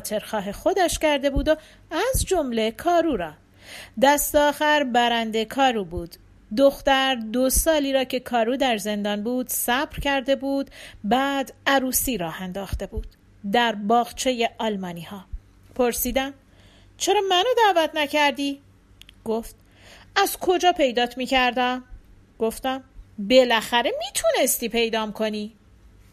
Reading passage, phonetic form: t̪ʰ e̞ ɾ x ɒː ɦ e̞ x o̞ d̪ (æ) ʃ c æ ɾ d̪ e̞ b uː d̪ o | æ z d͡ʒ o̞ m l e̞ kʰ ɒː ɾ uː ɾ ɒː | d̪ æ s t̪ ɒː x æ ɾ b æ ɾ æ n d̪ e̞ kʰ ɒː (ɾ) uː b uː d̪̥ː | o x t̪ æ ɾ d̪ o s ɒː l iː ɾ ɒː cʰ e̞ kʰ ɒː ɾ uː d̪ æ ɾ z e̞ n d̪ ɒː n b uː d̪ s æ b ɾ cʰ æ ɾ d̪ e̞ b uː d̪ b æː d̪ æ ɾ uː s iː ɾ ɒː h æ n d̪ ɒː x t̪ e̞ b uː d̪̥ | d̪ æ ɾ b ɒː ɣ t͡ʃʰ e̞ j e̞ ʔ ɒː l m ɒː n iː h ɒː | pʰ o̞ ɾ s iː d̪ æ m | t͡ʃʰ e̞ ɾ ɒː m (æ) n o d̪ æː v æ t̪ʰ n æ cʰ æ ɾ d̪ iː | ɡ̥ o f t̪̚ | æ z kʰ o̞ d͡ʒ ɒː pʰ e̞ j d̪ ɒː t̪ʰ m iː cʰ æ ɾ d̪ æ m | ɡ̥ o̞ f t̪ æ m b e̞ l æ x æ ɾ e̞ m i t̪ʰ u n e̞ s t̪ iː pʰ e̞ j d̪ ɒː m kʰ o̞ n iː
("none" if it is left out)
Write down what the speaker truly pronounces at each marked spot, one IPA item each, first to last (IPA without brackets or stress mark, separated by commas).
æ, ɾ, æ